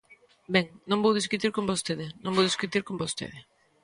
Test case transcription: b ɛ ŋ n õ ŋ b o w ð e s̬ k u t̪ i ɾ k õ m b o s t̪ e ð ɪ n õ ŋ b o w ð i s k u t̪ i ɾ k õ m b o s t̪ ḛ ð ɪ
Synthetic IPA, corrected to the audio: b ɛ ŋ n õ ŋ b o w ð i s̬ k u t̪ i ɾ k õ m b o s t̪ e ð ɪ n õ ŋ b o w ð i s k u t̪ i ɾ k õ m b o s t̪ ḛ ð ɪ